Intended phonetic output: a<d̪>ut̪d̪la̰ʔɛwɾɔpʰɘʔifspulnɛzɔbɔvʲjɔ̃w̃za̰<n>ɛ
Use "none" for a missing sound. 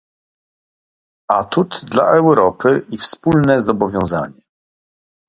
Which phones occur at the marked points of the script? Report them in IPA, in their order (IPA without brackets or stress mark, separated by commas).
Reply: t̪, ɲ